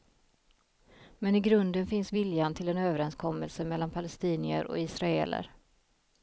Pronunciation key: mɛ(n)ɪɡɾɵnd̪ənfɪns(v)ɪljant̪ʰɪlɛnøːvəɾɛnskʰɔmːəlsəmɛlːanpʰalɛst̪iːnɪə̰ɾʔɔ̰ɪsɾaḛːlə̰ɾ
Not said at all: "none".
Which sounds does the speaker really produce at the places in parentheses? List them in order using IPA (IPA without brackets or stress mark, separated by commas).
n, v